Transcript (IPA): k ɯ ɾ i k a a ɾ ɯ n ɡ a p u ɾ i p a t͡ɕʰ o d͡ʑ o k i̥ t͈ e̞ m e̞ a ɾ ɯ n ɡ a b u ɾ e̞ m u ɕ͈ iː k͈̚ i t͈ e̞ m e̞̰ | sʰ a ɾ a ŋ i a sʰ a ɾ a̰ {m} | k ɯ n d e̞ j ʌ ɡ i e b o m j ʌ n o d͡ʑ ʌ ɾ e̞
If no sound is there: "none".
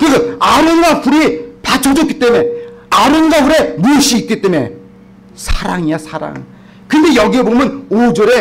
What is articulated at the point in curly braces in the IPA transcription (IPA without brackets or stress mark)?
ŋ